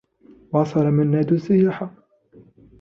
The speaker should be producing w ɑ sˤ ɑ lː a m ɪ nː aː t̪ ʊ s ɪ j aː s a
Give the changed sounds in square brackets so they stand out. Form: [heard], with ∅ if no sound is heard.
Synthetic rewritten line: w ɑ sˤ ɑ [l] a m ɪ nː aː [d̪] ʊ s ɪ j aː [ħ] a